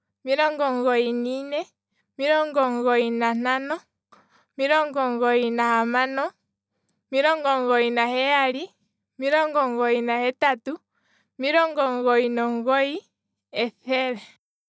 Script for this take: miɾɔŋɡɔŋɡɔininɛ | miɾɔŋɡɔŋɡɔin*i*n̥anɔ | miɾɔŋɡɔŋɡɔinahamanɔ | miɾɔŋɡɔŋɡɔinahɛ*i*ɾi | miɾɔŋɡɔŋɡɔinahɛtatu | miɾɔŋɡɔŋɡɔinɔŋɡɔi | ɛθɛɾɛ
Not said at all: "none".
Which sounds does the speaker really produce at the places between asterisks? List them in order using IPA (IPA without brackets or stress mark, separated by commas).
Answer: a, a